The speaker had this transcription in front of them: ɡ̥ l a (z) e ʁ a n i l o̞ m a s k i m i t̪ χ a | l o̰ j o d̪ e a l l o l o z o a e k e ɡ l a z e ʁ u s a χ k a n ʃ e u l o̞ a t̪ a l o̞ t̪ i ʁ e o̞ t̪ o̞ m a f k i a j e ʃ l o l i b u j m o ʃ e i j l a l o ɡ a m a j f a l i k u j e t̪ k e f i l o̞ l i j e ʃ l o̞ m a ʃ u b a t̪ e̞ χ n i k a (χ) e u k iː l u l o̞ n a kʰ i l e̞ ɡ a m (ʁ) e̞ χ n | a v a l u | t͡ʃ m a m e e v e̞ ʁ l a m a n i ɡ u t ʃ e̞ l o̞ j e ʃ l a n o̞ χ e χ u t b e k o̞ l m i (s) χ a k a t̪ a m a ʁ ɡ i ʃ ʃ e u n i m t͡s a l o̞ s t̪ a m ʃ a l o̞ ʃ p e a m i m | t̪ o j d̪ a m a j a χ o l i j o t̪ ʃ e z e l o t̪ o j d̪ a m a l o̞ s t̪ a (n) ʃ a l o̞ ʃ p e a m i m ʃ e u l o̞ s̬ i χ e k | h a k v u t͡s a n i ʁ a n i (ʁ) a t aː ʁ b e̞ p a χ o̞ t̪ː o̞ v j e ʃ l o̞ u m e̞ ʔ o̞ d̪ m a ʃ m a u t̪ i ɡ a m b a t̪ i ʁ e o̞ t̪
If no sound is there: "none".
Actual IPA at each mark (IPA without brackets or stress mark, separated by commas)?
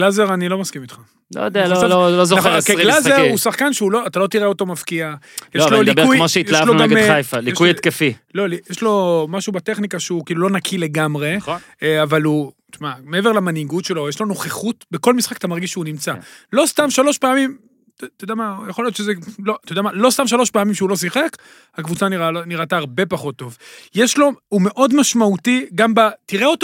z, ʃ, ʁ, s, m, ʁ